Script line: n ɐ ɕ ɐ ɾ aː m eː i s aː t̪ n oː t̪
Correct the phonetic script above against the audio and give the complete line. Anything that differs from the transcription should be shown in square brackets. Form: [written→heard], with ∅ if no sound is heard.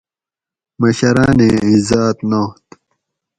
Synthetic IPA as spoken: [n→m] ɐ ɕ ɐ ɾ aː [m→n] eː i [s→z] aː t̪ n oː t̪

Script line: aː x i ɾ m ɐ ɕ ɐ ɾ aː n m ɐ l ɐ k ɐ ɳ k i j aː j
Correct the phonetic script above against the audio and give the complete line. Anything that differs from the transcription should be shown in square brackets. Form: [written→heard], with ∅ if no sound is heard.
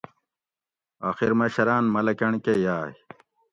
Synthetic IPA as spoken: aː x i ɾ m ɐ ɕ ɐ ɾ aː n m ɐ l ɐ k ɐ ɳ k [i→e] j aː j

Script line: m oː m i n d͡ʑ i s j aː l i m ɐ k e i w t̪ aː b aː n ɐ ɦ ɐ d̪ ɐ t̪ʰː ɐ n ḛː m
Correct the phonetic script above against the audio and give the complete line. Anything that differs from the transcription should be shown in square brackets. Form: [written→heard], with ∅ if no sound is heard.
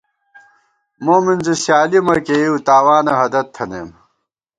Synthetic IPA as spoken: m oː m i n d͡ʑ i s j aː l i m ɐ k e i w t̪ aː [b→w] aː n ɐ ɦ ɐ d̪ ɐ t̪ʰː ɐ n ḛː m

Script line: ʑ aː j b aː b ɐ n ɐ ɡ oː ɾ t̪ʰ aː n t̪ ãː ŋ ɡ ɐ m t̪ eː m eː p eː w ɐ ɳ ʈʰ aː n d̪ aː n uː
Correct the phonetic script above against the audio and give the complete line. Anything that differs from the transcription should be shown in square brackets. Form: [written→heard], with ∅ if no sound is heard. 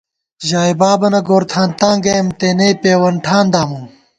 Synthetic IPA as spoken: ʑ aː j b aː b ɐ n ɐ ɡ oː ɾ t̪ʰ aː n t̪ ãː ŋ ɡ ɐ m t̪ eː [m→n] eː p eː w ɐ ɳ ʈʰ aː n d̪ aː [n→m] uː

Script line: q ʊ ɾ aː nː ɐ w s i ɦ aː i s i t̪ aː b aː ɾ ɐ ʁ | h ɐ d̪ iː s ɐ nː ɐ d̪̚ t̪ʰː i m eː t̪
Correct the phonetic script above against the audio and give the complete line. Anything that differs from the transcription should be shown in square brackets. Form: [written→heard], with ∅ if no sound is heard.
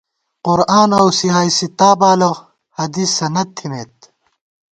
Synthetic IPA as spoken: q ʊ ɾ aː [nː→n] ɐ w s i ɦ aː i s i t̪ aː b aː [ɾ→l] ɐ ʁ | h ɐ d̪ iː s ɐ [nː→n] ɐ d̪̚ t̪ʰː i m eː t̪

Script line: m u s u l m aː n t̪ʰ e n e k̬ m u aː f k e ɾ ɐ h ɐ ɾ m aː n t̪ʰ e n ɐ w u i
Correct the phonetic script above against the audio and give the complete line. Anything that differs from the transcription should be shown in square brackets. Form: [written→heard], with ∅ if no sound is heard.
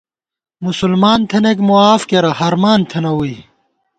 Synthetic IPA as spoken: m u s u l m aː n t̪ʰ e n e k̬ m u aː f k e ɾ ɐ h ɐ ɾ m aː n t̪ʰ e n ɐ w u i

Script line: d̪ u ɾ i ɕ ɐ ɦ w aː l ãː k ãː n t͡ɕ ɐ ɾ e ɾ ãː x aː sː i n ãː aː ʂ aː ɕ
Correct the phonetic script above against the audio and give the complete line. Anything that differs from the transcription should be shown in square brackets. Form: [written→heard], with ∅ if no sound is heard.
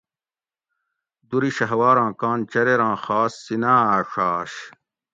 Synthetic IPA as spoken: d̪ u ɾ i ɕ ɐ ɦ w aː [l→ɾ] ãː k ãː n t͡ɕ ɐ ɾ e ɾ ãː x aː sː i n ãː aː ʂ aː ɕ

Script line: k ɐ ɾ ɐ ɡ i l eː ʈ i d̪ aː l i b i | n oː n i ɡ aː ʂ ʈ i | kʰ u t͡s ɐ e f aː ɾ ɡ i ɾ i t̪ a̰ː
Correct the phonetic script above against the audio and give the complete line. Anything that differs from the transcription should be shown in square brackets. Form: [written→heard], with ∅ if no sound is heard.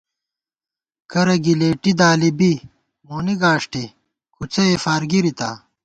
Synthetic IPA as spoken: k ɐ ɾ ɐ ɡ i l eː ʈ i d̪ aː l i b i | [n→m] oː n i ɡ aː ʂ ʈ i | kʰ u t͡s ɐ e f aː ɾ ɡ i ɾ i t̪ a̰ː

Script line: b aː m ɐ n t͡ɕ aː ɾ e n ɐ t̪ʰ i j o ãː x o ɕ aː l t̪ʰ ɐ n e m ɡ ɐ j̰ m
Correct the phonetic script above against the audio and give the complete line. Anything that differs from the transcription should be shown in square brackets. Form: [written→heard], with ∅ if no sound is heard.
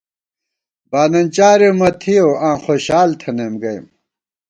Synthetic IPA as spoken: b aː [m→n] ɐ n t͡ɕ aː ɾ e [n→m] ɐ t̪ʰ i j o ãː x o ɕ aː l t̪ʰ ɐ n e m ɡ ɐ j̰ m

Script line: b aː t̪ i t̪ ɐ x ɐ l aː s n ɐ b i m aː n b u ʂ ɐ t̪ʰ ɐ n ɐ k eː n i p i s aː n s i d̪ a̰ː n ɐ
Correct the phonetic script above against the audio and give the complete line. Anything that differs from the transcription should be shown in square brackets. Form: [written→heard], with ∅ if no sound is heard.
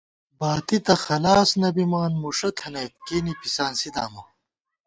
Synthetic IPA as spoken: b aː t̪ i t̪ ɐ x ɐ l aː s n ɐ b i m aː n [b→m] u ʂ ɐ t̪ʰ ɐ n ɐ k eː n i p i s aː n s i d̪ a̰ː [n→m] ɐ

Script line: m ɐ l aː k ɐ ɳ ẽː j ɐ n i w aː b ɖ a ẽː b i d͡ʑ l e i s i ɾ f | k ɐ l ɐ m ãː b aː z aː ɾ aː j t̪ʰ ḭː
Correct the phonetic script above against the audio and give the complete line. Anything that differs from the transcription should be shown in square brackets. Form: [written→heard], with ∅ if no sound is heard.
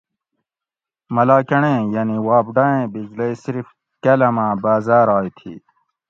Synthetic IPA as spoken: m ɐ l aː k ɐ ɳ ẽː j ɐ n i w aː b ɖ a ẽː b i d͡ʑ l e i s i ɾ f | k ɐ l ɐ m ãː b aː z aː ɾ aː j t̪ʰ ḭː

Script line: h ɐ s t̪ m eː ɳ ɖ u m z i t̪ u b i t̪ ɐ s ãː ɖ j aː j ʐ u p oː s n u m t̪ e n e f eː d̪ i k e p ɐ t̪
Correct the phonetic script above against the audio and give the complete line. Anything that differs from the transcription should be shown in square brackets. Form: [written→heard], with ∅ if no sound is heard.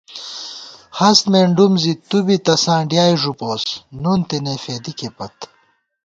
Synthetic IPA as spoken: h ɐ s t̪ m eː ɳ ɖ u m z i t̪ u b i t̪ ɐ s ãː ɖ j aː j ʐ u p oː s n u [m→n] t̪ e n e f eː d̪ i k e p ɐ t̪

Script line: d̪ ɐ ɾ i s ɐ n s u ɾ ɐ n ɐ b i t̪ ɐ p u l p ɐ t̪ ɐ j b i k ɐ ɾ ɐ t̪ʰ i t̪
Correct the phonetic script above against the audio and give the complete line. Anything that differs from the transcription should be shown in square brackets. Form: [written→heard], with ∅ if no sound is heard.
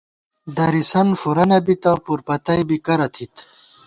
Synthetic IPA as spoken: d̪ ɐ ɾ i s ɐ n [s→f] u ɾ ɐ n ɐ b i t̪ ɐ p u [l→ɾ] p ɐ t̪ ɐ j b i k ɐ ɾ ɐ t̪ʰ i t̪

